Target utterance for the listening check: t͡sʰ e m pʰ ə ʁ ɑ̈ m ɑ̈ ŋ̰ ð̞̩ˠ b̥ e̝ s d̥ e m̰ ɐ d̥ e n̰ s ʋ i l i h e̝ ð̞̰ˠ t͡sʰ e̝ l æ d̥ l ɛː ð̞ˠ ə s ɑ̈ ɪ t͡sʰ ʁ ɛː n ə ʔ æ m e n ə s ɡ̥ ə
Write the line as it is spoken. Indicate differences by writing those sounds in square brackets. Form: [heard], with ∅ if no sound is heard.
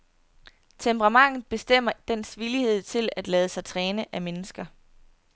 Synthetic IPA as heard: t͡sʰ e m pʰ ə ʁ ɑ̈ m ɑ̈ ŋ̰ ð̞̩ˠ b̥ e̝ s d̥ e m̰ ɐ d̥ e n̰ s ʋ i l i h e̝ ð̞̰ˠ t͡sʰ e̝ l æ d̥ l ɛː ð̞ˠ ə s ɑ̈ ɪ t͡sʰ ʁ ɛː n ə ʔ æ m e n ə s ɡ̥ [ɐ]